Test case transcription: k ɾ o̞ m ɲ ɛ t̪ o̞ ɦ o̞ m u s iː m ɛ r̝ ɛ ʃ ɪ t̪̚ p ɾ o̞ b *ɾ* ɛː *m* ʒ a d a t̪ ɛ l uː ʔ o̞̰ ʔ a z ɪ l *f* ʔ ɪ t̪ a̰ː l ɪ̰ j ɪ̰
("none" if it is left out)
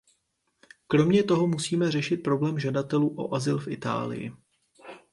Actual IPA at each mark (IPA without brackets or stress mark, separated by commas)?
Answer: l, m, f